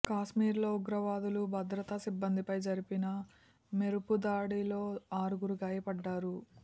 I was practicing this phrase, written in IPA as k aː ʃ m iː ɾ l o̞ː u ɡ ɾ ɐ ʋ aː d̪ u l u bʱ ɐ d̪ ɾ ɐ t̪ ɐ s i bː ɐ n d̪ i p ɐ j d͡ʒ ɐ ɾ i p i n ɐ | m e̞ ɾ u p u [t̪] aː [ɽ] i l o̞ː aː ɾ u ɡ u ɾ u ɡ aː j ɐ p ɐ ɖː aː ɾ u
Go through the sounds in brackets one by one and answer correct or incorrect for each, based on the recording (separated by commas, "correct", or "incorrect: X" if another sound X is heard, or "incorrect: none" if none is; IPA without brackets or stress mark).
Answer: incorrect: d̪, correct